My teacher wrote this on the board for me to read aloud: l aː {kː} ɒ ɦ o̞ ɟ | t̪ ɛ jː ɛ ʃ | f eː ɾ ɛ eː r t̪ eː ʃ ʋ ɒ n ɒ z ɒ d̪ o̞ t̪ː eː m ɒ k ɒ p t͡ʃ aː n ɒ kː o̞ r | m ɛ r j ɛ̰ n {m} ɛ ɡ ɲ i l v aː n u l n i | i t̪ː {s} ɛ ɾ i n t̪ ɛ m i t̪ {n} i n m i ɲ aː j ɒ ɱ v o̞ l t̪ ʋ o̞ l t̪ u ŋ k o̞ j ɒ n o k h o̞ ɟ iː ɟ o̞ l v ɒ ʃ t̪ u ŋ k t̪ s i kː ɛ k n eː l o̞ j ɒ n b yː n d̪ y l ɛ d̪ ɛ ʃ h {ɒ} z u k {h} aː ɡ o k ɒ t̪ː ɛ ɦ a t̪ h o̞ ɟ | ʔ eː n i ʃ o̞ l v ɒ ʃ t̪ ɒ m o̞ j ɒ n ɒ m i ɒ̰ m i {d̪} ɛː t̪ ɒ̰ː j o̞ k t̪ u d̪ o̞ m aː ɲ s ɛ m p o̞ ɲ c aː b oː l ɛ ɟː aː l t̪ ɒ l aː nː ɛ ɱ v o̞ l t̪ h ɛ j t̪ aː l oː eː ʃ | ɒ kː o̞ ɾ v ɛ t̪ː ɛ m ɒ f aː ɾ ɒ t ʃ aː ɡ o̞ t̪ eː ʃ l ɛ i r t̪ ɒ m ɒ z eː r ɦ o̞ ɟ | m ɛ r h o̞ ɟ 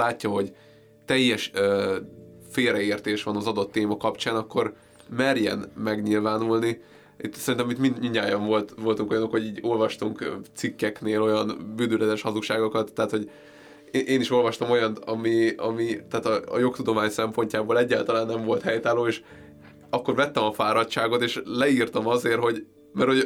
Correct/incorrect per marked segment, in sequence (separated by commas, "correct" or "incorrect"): incorrect, correct, correct, incorrect, correct, incorrect, incorrect